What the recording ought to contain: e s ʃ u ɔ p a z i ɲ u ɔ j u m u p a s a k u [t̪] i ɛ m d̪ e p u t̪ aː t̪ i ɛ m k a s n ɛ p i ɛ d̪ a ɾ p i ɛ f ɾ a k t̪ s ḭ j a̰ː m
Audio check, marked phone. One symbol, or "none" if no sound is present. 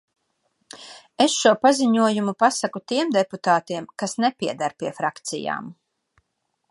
t̪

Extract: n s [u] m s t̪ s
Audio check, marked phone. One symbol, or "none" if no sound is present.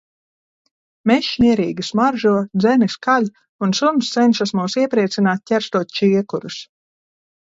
u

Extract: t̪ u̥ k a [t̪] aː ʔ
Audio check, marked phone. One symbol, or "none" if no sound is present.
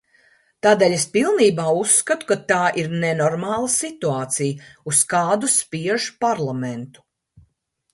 t̪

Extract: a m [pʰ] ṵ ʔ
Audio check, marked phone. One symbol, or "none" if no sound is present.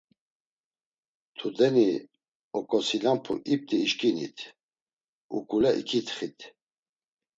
pʰ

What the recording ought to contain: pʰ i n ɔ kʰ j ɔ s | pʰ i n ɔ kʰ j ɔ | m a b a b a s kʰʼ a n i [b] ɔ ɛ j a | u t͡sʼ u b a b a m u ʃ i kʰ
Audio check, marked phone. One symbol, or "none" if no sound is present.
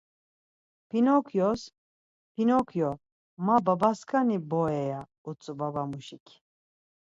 b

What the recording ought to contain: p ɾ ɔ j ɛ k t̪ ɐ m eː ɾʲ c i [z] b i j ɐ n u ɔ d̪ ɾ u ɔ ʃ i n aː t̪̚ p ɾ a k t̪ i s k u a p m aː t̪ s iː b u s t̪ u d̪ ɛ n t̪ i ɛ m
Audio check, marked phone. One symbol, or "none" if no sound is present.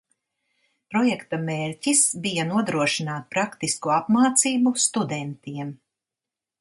s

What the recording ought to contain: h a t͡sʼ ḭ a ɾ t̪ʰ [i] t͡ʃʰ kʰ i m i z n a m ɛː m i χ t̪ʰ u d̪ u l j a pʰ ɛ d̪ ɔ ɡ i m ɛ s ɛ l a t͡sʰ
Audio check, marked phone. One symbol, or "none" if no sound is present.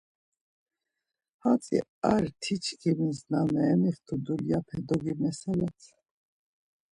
i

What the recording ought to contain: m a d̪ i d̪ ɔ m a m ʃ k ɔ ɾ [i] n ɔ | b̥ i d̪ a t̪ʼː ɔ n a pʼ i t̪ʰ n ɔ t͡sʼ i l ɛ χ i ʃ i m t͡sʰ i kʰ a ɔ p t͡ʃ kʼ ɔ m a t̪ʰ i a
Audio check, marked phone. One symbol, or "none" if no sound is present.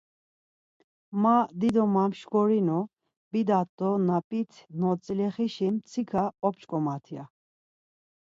i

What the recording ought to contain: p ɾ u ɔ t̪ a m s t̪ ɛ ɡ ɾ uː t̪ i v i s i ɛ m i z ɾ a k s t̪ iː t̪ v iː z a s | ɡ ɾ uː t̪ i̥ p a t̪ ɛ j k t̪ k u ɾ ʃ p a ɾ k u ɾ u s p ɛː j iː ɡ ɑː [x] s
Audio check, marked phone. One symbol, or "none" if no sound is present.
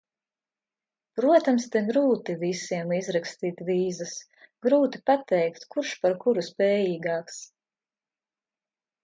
k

